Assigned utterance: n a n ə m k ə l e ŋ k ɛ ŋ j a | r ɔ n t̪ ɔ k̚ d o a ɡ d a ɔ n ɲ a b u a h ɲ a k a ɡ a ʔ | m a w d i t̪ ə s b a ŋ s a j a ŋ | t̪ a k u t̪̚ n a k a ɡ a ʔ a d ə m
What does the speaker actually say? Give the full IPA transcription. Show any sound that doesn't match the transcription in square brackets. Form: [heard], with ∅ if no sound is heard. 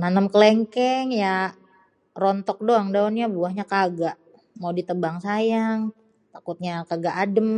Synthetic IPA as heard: n a n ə m k ə l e ŋ k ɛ ŋ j a | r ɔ n t̪ ɔ k̚ d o a [ŋ] d a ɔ n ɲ a b u a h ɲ a k a ɡ a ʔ | m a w d i t̪ ə [∅] b a ŋ s a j a ŋ | t̪ a k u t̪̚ [ɲ] a k a ɡ a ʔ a d ə m